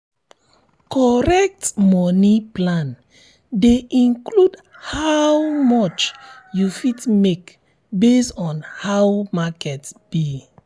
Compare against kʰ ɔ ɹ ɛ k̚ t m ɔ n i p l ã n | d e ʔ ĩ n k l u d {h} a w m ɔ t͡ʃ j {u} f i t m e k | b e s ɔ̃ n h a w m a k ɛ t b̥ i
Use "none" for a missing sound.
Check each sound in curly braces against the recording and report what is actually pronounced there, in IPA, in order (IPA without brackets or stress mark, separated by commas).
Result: h, u